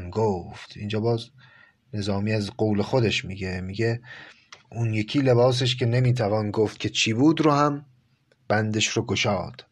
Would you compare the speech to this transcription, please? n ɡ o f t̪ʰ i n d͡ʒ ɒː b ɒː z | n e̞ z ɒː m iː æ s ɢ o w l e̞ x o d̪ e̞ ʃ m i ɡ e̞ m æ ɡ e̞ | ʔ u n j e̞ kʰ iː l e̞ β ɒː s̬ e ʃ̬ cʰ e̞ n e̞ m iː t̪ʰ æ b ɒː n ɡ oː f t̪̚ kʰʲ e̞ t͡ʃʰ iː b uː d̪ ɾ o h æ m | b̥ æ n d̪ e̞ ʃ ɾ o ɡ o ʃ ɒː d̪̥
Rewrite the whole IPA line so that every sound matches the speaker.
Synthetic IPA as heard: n ɡ o f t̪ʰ i n d͡ʒ ɒː b ɒː z | n e̞ z ɒː m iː æ z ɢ o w l e̞ x o d̪ e̞ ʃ m i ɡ e̞ m i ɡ e̞ | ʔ u n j e̞ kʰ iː l e̞ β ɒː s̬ e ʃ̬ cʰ e̞ n e̞ m iː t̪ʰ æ v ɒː n ɡ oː f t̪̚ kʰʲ e̞ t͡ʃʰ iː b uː d̪ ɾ o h æ m | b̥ æ n d̪ e̞ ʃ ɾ o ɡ o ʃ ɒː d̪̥